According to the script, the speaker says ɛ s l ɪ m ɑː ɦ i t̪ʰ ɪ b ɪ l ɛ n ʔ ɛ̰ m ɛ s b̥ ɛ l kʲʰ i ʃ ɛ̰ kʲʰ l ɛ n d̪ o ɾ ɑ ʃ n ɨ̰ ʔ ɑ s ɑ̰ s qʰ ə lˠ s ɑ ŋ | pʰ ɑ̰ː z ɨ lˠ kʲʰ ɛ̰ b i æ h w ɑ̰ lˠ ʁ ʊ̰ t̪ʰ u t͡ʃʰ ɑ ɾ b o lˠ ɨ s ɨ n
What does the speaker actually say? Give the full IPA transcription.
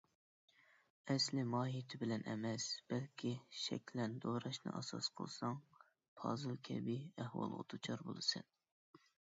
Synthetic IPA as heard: ɛ s l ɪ m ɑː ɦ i t̪ʰ ɪ b ɪ l ɛ n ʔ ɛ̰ m ɛ s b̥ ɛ l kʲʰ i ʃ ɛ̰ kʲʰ l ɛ n d̪ o ɾ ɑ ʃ n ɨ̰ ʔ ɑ s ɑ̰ s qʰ ə lˠ s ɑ ŋ | pʰ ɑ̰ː z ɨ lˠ kʲʰ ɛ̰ b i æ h w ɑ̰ lˠ ʁ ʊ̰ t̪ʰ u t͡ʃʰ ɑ ɾ b o lˠ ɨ s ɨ n